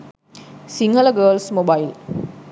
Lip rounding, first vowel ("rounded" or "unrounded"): unrounded